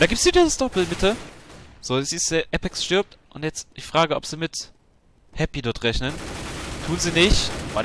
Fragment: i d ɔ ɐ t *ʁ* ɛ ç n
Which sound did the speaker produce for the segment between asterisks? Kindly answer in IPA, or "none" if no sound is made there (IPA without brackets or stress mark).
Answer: ʁ